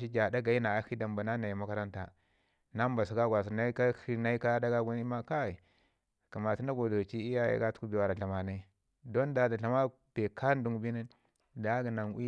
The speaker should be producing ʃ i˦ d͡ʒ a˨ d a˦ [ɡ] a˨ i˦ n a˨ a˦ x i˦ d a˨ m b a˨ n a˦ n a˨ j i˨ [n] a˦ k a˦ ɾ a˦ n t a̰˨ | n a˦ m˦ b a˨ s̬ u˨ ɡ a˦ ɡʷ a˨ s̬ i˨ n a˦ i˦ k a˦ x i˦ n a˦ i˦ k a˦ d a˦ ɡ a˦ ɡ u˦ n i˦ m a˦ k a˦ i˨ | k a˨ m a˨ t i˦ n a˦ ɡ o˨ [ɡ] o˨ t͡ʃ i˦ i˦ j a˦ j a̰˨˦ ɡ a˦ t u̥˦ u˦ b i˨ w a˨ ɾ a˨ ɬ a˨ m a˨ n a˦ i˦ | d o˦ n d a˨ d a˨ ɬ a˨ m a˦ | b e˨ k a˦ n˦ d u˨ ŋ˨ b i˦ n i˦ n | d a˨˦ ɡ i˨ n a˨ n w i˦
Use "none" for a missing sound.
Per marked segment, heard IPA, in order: ɡ, m, d

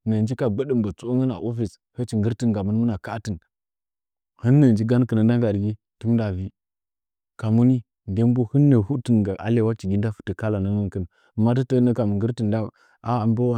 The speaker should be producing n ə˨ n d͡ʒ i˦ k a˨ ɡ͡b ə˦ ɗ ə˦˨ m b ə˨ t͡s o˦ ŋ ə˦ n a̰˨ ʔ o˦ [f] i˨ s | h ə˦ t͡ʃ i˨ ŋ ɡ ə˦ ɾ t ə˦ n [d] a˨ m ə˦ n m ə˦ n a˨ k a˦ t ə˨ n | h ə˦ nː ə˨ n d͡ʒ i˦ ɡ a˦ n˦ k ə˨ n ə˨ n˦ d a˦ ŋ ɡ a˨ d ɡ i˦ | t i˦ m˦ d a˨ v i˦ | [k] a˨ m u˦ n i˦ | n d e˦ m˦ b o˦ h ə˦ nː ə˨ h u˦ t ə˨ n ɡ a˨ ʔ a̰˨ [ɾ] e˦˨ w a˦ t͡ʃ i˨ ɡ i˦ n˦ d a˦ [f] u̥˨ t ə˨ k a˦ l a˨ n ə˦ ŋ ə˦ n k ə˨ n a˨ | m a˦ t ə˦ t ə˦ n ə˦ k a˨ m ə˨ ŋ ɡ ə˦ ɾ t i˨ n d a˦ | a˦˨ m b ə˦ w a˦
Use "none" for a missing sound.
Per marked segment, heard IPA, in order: f, ɡ, k, l, f

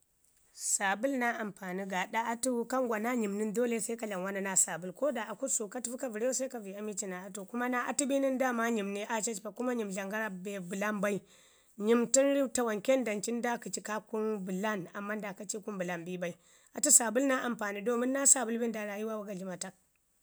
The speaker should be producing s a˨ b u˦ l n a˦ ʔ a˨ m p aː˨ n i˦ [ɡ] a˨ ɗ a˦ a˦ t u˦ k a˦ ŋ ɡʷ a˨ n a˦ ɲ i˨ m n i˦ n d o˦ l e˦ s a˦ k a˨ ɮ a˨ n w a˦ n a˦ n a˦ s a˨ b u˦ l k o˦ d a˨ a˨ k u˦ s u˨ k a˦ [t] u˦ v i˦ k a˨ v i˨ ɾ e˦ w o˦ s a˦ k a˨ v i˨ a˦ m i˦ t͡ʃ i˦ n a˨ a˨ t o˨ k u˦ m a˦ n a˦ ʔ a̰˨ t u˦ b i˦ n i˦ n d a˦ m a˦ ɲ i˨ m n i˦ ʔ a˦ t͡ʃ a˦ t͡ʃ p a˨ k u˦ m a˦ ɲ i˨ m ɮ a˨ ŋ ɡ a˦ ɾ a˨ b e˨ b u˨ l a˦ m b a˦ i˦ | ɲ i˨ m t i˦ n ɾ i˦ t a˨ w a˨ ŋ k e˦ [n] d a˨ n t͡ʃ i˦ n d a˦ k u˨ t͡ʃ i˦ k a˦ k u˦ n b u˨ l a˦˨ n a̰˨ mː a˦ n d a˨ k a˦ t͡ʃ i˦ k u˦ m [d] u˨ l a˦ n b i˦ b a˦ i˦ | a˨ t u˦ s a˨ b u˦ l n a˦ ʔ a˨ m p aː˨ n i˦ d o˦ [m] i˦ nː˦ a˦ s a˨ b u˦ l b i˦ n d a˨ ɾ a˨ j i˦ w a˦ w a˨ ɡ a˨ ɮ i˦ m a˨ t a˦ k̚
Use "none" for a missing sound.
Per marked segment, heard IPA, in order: ɡ, t, n, b, m

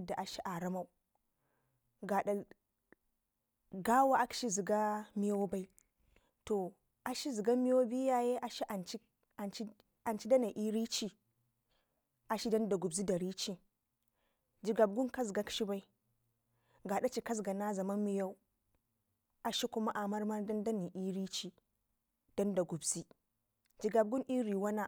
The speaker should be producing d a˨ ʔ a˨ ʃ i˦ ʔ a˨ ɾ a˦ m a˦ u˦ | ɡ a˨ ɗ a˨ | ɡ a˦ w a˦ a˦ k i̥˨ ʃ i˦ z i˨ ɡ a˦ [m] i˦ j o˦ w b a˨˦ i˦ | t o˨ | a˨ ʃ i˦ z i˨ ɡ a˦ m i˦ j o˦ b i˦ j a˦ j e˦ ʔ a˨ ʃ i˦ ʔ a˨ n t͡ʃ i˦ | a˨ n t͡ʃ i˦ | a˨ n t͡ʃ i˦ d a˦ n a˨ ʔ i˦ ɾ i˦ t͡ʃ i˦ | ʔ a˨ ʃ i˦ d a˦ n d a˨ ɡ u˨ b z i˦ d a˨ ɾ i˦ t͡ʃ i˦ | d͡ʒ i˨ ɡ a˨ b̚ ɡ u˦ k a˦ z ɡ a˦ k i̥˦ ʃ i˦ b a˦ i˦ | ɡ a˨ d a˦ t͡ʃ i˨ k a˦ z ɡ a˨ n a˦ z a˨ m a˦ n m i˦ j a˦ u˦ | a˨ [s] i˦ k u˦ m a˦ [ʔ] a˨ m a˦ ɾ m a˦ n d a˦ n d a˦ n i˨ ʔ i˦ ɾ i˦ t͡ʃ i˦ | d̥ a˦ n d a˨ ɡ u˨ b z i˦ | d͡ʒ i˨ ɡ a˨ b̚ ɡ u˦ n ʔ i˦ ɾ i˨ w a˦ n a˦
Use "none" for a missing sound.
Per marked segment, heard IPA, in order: m, ʃ, ʔ

